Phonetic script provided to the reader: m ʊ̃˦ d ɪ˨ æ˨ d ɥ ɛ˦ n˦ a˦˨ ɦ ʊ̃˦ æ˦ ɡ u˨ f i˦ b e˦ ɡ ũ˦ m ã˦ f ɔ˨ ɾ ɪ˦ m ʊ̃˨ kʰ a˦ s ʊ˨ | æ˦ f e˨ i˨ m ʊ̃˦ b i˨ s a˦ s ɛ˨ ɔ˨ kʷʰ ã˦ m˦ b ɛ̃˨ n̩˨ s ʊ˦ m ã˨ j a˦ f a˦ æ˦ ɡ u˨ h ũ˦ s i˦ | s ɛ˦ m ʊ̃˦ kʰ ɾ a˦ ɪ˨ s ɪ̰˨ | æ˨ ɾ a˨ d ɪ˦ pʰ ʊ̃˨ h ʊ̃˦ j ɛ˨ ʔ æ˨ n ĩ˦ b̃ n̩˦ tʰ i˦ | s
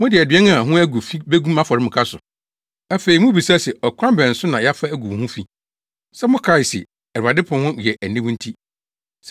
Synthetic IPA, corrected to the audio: m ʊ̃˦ d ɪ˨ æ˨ d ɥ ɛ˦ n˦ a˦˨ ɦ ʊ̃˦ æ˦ ɡ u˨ f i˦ b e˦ ɡ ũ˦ m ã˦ f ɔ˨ ɾ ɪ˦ m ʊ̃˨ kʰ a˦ s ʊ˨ | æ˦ f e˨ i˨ m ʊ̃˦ b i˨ s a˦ s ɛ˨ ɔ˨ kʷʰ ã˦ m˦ b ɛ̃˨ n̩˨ s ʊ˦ n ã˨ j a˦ f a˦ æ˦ ɡ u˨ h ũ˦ f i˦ | s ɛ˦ m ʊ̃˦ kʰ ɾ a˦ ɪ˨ s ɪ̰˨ | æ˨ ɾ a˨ d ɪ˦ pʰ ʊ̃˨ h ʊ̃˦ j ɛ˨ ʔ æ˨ n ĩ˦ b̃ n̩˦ tʰ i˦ | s